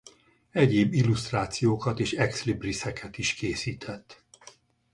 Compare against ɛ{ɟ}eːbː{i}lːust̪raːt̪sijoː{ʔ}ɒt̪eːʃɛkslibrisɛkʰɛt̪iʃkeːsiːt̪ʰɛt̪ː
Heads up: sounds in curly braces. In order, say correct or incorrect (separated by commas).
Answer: correct, correct, incorrect